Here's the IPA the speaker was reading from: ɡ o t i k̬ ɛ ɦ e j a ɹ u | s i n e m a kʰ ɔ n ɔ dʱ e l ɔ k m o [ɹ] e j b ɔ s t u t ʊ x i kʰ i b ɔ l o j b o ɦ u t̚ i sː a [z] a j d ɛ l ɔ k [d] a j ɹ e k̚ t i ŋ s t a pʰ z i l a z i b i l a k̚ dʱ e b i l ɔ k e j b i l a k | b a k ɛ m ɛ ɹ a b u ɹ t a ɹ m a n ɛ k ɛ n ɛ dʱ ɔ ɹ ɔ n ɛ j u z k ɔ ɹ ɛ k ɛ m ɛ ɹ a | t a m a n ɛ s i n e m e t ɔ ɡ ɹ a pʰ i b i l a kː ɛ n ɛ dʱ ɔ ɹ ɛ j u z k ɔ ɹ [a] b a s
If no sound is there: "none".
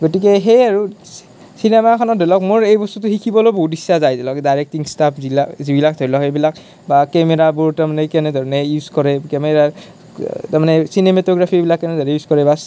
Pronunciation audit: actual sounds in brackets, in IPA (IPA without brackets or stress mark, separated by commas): ɹ, z, d, ɛ